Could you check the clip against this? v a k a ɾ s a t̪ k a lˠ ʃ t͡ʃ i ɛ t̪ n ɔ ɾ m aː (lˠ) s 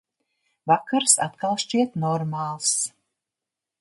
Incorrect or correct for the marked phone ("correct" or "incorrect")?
correct